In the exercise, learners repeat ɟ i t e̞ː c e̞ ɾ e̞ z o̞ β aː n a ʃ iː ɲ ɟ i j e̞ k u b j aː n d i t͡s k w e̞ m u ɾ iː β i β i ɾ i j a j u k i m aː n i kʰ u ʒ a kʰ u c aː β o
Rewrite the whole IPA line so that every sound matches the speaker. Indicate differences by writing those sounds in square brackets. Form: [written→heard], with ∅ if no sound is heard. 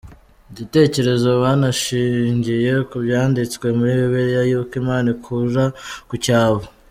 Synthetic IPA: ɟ i t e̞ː c e̞ ɾ e̞ z o̞ β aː n a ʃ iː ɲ ɟ i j e̞ k u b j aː n d i t͡s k w e̞ m u ɾ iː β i β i ɾ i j a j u k i m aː n i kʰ u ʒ a [kʰ→k] u c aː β o